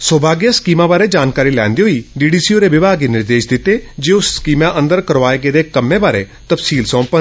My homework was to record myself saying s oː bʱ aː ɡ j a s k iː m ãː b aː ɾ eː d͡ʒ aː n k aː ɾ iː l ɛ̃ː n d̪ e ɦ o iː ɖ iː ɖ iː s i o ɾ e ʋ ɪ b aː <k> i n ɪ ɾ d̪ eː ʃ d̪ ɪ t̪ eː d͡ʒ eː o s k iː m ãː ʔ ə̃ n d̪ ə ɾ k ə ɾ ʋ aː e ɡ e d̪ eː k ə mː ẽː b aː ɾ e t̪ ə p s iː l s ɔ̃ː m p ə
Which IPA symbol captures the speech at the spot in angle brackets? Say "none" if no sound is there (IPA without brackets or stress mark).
ɡ